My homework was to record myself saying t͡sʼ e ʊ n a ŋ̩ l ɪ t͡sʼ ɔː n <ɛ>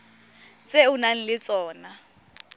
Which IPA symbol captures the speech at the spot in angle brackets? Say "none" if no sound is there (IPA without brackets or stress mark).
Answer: a